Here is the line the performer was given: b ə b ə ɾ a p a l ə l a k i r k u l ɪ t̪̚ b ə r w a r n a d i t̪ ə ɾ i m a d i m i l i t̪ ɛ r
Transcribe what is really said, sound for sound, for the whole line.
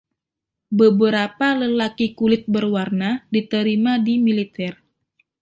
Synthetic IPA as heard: b ə b ə ɾ a p a l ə l a k i k u l ɪ t̪̚ b ə r w a r n a d i t̪ ə ɾ i m a d i m i l i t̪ ɛ r

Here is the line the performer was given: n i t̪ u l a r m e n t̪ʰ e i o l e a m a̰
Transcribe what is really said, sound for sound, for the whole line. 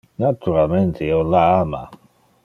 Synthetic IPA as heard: n a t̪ u ɾ a l m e n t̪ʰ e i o l a a m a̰

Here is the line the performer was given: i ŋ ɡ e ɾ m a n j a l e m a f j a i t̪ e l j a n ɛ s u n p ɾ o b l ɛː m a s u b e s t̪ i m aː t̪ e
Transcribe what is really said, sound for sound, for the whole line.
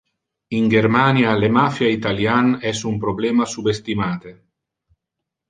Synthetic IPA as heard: i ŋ ɡ e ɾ m a n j a l e m a f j a i t̪ a l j a n ɛ s u m p ɾ o b l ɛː m a s u b e s t̪ i m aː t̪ e

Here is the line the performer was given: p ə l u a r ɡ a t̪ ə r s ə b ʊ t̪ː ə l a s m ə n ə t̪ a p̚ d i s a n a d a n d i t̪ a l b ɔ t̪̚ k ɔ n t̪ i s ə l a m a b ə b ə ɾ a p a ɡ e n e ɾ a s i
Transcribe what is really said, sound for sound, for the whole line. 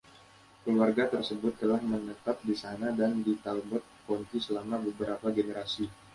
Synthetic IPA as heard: k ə l u a r ɡ a t̪ ə r s ə b ʊ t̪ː ə l a h m ə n ə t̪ a p̚ d i s a n a d a n d i t̪ a l b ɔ t̪̚ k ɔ n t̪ i s ə l a m a b ə b ə ɾ a p a ɡ e n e ɾ a s i

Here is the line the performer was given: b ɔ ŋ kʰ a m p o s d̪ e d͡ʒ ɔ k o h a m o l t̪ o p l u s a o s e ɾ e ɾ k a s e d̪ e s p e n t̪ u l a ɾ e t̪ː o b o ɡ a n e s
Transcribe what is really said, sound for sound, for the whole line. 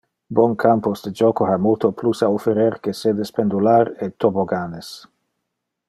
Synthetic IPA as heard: b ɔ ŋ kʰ a m p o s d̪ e d͡ʒ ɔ k o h a m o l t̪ o p l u s a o f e ɾ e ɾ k e s e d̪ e s p e n d̪ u l a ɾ e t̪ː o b o ɡ a n e s

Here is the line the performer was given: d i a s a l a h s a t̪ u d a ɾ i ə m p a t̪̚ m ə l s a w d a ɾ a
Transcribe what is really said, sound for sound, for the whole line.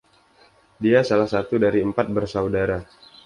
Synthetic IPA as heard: d i a s a l a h s a t̪ u d a ɾ i ə m p a t̪̚ b ə r s a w d a ɾ a

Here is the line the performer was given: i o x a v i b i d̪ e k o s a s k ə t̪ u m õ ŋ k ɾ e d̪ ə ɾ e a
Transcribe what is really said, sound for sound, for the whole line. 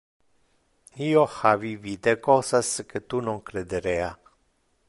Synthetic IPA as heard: i o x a v i v i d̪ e k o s a s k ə t̪ u n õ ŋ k ɾ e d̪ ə ɾ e a

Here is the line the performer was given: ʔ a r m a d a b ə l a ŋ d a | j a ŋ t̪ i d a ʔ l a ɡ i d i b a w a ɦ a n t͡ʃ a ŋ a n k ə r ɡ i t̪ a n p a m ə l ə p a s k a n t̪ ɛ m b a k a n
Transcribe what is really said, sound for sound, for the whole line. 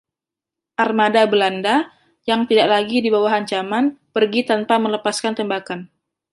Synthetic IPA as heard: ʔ a r m a d a b ə l a n d a | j a ŋ t̪ i d a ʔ l a ɡ i d i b a w a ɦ a ɲ t͡ʃ a m a n p ə r ɡ i t̪ a n p a m ə l ə p a s k a n t̪ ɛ m b a k a n

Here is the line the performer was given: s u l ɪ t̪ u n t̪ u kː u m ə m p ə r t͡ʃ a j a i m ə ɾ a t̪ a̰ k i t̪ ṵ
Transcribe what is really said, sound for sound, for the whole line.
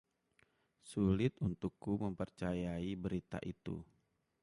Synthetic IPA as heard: s u l ɪ t̪ u n t̪ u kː u m ə m p ə r t͡ʃ a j a i b ə ɾ i t̪ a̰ ʔ i t̪ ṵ

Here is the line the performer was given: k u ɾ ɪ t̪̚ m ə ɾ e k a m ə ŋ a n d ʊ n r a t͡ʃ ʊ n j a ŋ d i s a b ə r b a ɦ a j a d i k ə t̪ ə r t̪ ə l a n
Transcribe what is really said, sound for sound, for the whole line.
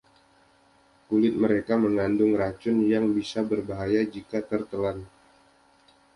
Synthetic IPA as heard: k u l ɪ t̪̚ m ə ɾ e k a m ə ŋ a n d ʊ ŋ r a t͡ʃ ʊ n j a ŋ b i s a b ə r b a ɦ a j a d͡ʒ i k a t̪ ə r t̪ ə l a n

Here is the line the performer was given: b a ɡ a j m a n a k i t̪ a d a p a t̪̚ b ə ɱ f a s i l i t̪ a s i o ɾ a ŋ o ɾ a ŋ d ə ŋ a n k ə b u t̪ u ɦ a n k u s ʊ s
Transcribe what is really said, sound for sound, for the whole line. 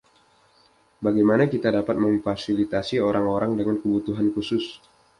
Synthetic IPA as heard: b a ɡ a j m a n a k i t̪ a d a p a t̪̚ m ə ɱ f a s i l i t̪ a s i o ɾ a ŋ o ɾ a ŋ d ə ŋ a n k ə b u t̪ u ɦ a n k u s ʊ s

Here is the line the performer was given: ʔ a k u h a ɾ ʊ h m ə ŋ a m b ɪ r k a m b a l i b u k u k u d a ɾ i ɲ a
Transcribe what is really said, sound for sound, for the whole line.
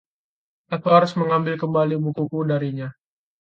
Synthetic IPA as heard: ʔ a k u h a ɾ ʊ s m ə ŋ a m b ɪ l k ə m b a l i b u k u k u d a ɾ i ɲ a

